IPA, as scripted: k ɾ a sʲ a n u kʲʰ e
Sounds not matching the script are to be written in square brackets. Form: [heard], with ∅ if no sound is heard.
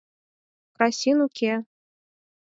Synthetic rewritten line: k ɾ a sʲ [i] n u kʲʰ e